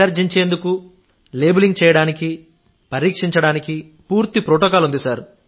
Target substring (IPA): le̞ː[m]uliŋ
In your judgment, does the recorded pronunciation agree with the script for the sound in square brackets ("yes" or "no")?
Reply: no